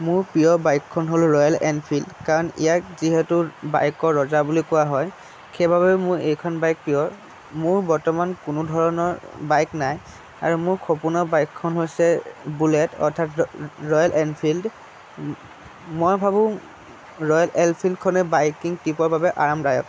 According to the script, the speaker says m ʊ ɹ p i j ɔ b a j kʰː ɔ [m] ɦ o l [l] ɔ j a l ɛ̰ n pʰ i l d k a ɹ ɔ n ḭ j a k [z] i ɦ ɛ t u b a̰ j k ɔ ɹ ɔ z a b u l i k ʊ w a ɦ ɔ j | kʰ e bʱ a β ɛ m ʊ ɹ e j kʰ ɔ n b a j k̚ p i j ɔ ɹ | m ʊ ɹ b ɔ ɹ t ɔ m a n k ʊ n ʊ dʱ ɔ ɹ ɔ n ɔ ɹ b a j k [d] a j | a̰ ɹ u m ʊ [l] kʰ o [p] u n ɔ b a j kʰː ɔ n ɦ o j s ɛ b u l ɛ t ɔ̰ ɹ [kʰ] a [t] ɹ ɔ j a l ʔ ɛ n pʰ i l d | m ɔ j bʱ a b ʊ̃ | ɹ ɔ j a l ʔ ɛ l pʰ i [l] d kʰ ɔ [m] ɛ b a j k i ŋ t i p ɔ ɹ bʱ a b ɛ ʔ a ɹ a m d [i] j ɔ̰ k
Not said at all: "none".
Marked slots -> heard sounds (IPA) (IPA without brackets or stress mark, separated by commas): n, ɹ, z, n, ɹ, p, tʰ, t, l, n, a